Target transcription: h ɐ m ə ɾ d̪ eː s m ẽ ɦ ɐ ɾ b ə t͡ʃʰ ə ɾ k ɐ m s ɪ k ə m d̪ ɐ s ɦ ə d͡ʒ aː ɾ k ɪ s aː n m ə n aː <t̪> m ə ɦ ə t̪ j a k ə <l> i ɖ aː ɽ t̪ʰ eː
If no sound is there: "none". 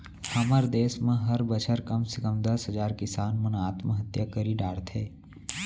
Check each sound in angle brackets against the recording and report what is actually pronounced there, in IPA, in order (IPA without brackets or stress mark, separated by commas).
t̪, ɾ